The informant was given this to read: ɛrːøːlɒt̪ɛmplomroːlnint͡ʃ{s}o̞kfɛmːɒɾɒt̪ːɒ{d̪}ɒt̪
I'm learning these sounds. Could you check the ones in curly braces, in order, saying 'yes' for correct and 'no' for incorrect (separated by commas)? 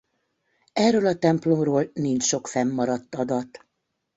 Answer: no, yes